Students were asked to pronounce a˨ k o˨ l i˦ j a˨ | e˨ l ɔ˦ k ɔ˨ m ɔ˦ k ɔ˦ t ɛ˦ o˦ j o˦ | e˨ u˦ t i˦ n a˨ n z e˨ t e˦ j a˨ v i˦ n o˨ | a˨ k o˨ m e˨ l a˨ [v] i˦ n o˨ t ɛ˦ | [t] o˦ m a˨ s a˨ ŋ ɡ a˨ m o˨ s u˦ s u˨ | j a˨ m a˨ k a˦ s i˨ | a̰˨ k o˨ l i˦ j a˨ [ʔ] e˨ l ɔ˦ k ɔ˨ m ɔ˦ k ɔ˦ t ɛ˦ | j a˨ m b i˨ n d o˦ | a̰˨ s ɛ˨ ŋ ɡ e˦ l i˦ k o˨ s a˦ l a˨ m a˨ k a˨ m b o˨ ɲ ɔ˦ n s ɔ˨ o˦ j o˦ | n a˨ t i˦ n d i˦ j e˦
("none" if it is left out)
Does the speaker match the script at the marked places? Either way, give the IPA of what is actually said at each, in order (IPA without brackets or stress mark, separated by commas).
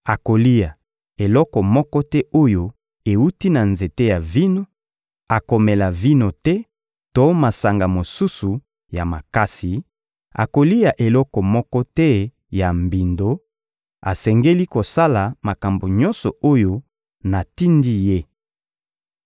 v, t, ʔ